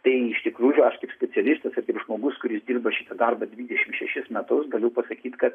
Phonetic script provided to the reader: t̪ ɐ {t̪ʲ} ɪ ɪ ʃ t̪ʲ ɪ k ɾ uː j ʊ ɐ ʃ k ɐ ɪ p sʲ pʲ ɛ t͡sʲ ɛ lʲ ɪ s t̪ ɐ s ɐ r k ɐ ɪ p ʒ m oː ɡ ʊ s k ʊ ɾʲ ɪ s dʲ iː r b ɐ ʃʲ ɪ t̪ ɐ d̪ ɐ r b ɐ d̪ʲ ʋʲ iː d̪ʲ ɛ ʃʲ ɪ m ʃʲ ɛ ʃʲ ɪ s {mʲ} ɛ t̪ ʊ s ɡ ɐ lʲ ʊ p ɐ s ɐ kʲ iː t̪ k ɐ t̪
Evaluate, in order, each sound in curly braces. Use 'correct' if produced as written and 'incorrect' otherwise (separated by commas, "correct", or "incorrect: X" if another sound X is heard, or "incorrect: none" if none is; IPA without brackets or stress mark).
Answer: incorrect: none, correct